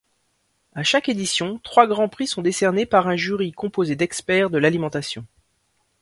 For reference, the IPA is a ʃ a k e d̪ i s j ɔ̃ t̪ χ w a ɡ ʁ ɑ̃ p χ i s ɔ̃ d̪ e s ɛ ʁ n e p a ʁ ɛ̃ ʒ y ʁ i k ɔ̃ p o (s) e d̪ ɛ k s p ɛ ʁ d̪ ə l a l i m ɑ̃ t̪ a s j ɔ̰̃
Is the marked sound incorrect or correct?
incorrect